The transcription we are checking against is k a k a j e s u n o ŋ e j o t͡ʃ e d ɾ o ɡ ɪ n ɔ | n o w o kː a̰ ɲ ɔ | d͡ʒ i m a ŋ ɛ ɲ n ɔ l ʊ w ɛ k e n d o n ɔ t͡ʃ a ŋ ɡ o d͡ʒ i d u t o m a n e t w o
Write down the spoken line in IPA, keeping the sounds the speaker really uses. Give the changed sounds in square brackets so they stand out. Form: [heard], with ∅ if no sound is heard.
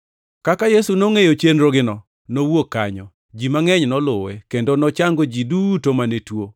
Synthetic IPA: k a k a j e s u n o ŋ e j o t͡ʃ e [n] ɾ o ɡ ɪ n ɔ | n o w o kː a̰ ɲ ɔ | d͡ʒ i m a ŋ ɛ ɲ n ɔ l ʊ w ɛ k e n d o n ɔ t͡ʃ a ŋ ɡ o d͡ʒ i d u t o m a n e t w o

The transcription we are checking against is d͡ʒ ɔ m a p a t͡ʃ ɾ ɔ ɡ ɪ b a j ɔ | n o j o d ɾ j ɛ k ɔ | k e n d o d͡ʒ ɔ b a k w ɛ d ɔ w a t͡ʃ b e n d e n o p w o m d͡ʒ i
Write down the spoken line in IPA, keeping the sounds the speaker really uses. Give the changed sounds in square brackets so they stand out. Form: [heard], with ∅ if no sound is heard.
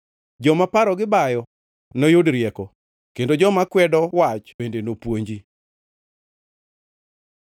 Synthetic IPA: d͡ʒ ɔ m a p a [∅] ɾ ɔ ɡ ɪ b a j ɔ | n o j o d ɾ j ɛ k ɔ | k e n d o d͡ʒ ɔ [m] a k w ɛ d ɔ w a t͡ʃ b e n d e n o p w o [ɲ] d͡ʒ i

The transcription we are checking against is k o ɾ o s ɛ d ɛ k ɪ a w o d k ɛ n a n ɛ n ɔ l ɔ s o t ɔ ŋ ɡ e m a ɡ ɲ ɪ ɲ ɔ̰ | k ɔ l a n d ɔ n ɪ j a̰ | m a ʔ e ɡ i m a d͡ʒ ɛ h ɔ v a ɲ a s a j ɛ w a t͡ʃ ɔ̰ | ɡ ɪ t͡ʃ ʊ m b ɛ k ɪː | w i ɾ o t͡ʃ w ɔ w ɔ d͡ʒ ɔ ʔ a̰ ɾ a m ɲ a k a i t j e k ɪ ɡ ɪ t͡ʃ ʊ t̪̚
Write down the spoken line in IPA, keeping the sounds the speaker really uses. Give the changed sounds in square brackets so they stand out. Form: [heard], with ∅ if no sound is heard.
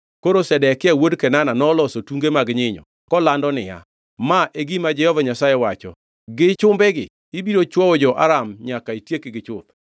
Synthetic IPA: k o ɾ o s ɛ d ɛ k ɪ a w o d k ɛ n a n [a] n ɔ l ɔ s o t [u] ŋ ɡ e m a ɡ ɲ ɪ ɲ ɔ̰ | k ɔ l a n d ɔ n ɪ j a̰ | m a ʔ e ɡ i m a d͡ʒ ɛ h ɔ v a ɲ a s a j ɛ w a t͡ʃ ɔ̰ | ɡ ɪ t͡ʃ ʊ m b ɛ [ɡ] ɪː | [b] i ɾ o t͡ʃ w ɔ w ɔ d͡ʒ ɔ ʔ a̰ ɾ a m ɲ a k a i t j e k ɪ ɡ ɪ t͡ʃ ʊ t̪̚

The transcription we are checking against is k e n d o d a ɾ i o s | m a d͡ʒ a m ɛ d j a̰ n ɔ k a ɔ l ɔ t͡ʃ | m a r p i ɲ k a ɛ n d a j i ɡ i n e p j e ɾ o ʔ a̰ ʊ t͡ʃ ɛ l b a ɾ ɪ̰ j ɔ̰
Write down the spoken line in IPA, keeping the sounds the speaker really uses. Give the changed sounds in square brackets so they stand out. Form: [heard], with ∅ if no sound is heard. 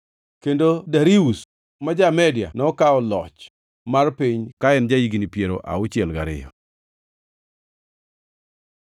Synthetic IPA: k e n d o d a ɾ i [u] s | m a d͡ʒ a m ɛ d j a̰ n ɔ k a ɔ l ɔ t͡ʃ | m a r p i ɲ k a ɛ n [d͡ʒ] a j i ɡ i n [i] p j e ɾ o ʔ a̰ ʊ t͡ʃ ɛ l [ɡ] a ɾ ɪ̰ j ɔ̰

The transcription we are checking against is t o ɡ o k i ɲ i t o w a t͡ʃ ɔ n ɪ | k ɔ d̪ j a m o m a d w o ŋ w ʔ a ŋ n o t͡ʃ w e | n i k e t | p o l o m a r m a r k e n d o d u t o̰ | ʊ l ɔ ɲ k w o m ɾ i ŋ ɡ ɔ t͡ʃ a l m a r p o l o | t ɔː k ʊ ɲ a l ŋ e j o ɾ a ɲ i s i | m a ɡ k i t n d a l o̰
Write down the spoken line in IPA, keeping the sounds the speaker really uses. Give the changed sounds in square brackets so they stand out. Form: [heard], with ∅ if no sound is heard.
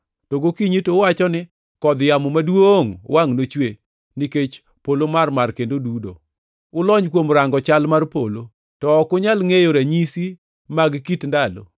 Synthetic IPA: t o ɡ o k i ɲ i t o w a t͡ʃ ɔ n ɪ | k ɔ d̪ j a m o m a d w o ŋ w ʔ a ŋ n o t͡ʃ w e | n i k e [t͡ʃ] | p o l o m a r m a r k e n d o d u [d] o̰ | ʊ l ɔ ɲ k w o m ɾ [a] ŋ ɡ ɔ t͡ʃ a l m a r p o l o | t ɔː k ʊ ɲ a l ŋ e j o ɾ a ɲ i s i | m a ɡ k i t n d a l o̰

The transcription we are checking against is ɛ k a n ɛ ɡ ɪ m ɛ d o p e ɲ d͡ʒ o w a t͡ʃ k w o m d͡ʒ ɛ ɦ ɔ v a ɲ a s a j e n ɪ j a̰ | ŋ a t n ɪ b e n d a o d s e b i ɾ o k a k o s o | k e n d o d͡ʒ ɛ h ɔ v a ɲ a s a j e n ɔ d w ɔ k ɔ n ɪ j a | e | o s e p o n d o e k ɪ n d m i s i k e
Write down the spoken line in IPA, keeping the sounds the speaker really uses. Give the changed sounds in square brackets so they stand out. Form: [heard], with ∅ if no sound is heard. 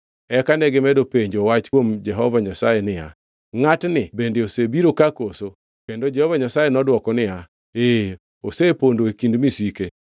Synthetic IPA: ɛ k a n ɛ ɡ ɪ m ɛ d o p e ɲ d͡ʒ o w a t͡ʃ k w o m d͡ʒ ɛ ɦ ɔ v a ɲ a s a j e n ɪ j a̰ | ŋ a t n ɪ b e n d [e] o [∅] s e b i ɾ o k a k o s o | k e n d o d͡ʒ ɛ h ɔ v a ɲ a s a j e n ɔ d w ɔ k ɔ n ɪ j a | e | o s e p o n d o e k [i] n d m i s i k e

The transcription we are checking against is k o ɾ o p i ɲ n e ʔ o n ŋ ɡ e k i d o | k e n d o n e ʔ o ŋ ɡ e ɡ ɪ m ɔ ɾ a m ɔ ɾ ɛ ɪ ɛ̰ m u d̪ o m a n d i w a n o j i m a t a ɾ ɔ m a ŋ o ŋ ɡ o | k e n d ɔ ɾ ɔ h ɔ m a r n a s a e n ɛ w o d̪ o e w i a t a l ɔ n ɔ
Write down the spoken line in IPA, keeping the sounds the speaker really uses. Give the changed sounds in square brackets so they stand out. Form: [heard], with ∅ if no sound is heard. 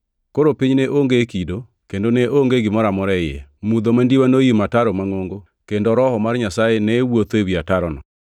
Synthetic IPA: k o ɾ o p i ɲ n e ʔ o [∅] ŋ ɡ e k i d o | k e n d o n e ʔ o ŋ ɡ e ɡ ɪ m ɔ ɾ a m ɔ ɾ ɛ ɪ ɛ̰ m u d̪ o m a n d i w a n o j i m a t a ɾ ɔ m a ŋ o ŋ ɡ o | k e n d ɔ ɾ ɔ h ɔ m a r [ɲ] a s a e n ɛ w o [t̪] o e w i a t a [ɾ] ɔ n ɔ

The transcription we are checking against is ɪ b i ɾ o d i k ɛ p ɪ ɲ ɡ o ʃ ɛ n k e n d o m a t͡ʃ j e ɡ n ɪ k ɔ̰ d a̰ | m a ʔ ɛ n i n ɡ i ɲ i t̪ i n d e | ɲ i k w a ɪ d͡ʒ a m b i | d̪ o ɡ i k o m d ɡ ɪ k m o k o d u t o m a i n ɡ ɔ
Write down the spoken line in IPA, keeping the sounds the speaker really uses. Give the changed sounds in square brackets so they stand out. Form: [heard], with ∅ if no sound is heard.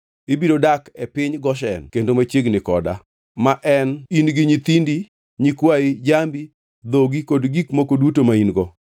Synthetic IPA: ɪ b i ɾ o d [a] k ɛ p ɪ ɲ ɡ [ɔ] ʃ ɛ n k e n d o m a t͡ʃ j e ɡ n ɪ k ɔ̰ d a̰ | m a ʔ ɛ n i n ɡ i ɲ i t̪ i n d [i] | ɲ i k w a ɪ d͡ʒ a m b i | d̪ o ɡ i k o [∅] d ɡ [i] k m o k o d u t o m a i n ɡ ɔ

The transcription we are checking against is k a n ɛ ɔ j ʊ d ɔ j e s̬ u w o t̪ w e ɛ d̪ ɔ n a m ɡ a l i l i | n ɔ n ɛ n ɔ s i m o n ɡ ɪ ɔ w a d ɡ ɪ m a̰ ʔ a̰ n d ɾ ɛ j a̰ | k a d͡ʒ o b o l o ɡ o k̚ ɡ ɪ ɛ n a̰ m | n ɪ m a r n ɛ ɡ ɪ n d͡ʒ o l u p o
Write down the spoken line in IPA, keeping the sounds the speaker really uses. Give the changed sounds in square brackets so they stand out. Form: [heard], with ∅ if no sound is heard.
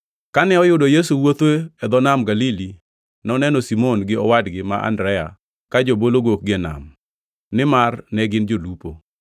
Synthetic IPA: k a n ɛ ɔ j ʊ d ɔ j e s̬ u w o t̪ w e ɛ d̪ ɔ n a m ɡ a l i l i | n ɔ n ɛ n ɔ s i m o n ɡ ɪ ɔ w a d ɡ ɪ m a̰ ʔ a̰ n d ɾ ɛ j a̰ | k a d͡ʒ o b o l o ɡ o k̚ ɡ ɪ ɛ n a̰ m | n ɪ m a r n ɛ ɡ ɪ n d͡ʒ o l u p o

